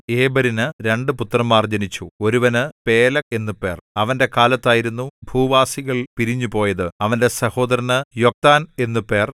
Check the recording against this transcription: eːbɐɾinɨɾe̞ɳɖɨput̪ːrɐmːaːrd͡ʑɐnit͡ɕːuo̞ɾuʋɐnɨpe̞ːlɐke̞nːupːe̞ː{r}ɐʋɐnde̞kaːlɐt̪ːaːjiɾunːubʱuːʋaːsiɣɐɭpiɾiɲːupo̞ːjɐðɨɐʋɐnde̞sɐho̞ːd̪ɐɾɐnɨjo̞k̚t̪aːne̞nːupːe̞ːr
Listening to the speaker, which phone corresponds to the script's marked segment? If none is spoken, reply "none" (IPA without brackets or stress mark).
r